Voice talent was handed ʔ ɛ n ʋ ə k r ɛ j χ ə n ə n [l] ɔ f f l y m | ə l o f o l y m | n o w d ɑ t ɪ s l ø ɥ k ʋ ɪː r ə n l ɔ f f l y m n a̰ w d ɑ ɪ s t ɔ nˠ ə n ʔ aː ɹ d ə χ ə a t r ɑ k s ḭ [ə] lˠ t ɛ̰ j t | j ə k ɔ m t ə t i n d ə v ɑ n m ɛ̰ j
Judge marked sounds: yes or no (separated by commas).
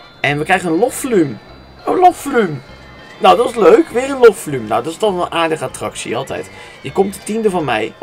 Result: yes, no